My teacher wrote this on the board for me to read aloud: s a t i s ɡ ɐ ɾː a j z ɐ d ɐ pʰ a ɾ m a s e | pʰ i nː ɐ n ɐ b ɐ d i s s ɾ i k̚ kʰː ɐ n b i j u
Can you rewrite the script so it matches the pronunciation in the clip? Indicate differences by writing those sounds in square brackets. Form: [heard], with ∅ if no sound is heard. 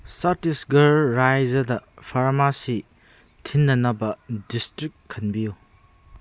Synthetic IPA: s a t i s ɡ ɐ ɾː a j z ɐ d ɐ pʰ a ɾ m a s [i] | [tʰ] i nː ɐ n ɐ b ɐ d i s [t] ɾ i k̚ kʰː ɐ n b i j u